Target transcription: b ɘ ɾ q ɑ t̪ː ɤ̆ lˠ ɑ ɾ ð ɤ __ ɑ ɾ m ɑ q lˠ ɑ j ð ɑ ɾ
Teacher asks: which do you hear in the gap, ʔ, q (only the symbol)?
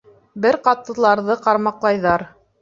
q